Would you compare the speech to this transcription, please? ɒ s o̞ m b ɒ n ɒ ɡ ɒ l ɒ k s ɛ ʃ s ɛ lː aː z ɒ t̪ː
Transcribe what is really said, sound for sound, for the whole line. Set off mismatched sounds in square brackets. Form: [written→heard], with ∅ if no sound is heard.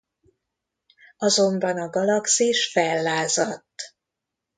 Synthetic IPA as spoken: ɒ [s→z] o̞ m b ɒ n ɒ ɡ ɒ l ɒ k s [ɛ→i] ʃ [s→f] ɛ lː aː z ɒ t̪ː